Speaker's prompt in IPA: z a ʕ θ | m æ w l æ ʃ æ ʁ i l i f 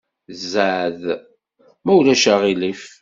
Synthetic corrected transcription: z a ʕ ð | m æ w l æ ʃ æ ʁ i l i f